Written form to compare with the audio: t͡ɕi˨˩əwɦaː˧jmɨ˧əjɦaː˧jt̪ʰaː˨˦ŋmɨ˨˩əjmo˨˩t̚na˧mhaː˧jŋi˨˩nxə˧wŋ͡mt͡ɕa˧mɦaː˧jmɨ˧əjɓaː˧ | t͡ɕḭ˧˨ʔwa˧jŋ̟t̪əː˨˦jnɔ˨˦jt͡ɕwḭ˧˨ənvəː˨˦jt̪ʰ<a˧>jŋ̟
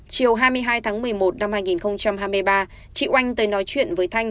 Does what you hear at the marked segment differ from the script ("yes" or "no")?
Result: no